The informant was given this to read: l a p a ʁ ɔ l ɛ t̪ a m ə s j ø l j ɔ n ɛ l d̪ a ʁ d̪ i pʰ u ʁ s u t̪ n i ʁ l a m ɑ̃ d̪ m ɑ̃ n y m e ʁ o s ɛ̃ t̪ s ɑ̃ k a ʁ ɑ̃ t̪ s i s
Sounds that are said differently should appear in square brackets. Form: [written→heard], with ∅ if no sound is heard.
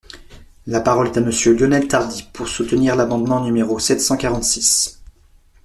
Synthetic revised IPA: l a p a ʁ ɔ l ɛ t̪ a m ə s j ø l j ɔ n ɛ l [d̪→t̪] a ʁ d̪ i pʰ u ʁ s u t̪ n i ʁ l a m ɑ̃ d̪ m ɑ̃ n y m e ʁ o s [ɛ̃→ɛ] t̪ s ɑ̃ k a ʁ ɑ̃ t̪ s i s

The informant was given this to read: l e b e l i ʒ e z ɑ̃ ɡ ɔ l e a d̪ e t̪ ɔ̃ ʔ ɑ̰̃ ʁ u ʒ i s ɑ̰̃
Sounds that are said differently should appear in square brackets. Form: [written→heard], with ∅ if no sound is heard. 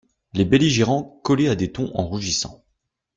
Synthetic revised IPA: l e b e l i ʒ e [z→ʁ] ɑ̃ [ɡ→k] ɔ l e a d̪ e t̪ ɔ̃ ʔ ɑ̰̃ ʁ u ʒ i s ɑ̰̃

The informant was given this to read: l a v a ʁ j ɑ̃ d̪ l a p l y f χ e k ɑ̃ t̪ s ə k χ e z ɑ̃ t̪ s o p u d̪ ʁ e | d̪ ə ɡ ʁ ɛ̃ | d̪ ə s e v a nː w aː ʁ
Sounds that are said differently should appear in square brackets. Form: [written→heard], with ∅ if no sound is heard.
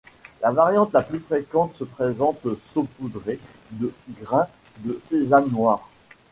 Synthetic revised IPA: l a v a ʁ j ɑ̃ [d̪→t̪] l a p l y f χ e k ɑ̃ t̪ s ə [k→p] χ e z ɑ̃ t̪ s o p u d̪ ʁ e | d̪ ə ɡ ʁ ɛ̃ | d̪ ə s e [v→z] a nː w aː ʁ

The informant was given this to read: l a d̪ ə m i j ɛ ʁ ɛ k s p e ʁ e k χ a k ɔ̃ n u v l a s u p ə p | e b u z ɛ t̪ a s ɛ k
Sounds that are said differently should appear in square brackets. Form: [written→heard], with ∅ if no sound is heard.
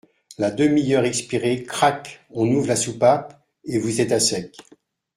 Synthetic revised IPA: l a d̪ ə m i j [ɛ→œ] ʁ ɛ k s p [e→i] ʁ e k χ a k ɔ̃ n u v l a s u p [ə→a] p | e [b→v] u z ɛ t̪ a s ɛ k

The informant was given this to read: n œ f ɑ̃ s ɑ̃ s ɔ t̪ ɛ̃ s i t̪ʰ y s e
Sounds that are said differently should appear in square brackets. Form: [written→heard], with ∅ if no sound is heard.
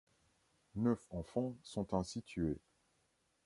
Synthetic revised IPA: n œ f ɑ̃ [s→f] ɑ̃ s [ɔ→ɔ̃] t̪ ɛ̃ s i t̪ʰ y [s→∅] e

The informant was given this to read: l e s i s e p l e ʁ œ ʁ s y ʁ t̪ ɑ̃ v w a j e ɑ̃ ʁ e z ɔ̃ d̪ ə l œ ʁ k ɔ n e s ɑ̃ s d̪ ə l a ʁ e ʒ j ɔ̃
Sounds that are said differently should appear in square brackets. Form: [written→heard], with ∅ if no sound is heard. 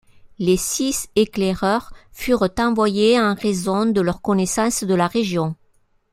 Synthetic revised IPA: l e s i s e [p→k] l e ʁ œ ʁ [s→f] y ʁ t̪ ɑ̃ v w a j e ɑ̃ ʁ e z ɔ̃ d̪ ə l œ ʁ k ɔ n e s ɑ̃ s d̪ ə l a ʁ e ʒ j ɔ̃

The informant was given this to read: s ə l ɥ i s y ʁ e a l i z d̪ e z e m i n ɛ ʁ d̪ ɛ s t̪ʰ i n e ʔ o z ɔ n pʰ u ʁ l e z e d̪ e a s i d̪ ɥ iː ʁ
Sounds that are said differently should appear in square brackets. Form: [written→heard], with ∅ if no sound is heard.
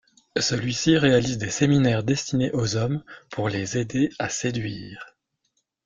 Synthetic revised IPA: s ə l ɥ i s [y→i] ʁ e a l i z d̪ e [z→s] e m i n ɛ ʁ d̪ ɛ s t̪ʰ i n e ʔ o z ɔ [n→m] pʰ u ʁ l e z e d̪ e a s [i→e] d̪ ɥ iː ʁ

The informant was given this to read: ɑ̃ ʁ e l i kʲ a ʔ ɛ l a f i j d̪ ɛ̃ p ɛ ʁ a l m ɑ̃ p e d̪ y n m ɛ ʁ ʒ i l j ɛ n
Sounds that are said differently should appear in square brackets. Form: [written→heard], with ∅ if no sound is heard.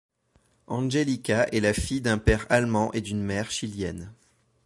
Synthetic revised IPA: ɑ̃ [ʁ→ʒ] e l i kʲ a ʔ ɛ l a f i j d̪ ɛ̃ p ɛ ʁ a l m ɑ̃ [p→ʔ] e d̪ y n m ɛ ʁ [ʒ→ʃ] i l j ɛ n

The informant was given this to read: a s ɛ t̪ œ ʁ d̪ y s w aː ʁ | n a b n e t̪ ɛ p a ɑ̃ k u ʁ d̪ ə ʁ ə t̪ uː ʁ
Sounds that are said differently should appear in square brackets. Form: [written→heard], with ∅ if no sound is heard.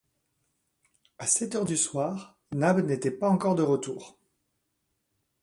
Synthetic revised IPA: a s ɛ t̪ œ ʁ d̪ y s w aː ʁ | n a b n e t̪ ɛ p a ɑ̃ k [u→ɔ] ʁ d̪ ə ʁ ə t̪ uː ʁ

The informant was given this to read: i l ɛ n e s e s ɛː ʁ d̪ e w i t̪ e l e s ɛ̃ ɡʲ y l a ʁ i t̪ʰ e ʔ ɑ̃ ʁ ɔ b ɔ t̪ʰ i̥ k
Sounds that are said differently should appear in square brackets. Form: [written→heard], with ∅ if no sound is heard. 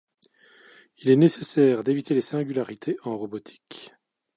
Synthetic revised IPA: i l ɛ n e s e s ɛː ʁ d̪ e [w→v] i t̪ e l e s ɛ̃ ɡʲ y l a ʁ i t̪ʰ e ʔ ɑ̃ ʁ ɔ b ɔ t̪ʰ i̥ k

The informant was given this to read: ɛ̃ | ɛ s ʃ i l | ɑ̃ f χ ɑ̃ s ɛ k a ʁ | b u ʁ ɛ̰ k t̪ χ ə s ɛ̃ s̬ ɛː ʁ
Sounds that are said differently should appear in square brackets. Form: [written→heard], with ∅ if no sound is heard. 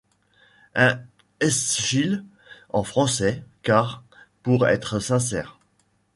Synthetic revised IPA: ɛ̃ | ɛ s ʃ i l | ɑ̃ f χ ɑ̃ s ɛ k a ʁ | [b→p] u ʁ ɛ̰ [k→∅] t̪ χ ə s ɛ̃ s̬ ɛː ʁ

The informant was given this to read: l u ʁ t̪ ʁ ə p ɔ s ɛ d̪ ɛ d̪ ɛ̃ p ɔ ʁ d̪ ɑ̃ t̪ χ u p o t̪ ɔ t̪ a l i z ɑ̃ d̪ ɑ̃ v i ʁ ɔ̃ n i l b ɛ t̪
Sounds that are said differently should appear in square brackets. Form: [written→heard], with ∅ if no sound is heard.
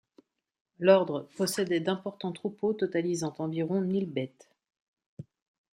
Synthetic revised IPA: l [u→ɔ] ʁ [t̪→d̪] ʁ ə p ɔ s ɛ d̪ ɛ d̪ ɛ̃ p ɔ ʁ [d̪→t̪] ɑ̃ t̪ χ u p o t̪ ɔ t̪ a l i z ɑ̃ [d̪→t̪] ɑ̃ v i ʁ ɔ̃ n i l b ɛ t̪

